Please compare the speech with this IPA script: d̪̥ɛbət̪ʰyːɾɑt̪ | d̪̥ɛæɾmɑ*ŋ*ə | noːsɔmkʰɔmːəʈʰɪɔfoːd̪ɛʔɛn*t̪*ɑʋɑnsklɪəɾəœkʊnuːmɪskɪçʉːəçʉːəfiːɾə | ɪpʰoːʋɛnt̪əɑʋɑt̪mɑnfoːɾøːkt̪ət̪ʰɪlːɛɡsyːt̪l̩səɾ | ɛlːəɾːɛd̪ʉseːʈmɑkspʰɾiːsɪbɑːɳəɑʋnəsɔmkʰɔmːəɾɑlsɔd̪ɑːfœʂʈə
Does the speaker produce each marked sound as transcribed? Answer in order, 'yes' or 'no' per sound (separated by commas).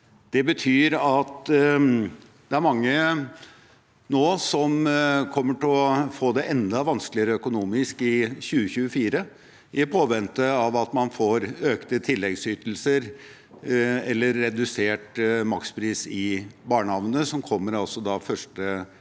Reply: no, no